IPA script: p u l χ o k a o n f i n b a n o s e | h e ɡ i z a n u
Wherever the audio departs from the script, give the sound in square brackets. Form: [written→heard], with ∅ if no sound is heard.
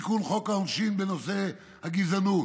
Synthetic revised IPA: [p→k] u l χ o k a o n [f→ʃ] i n b [a→e] n o s e | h [e→a] ɡ i z a n u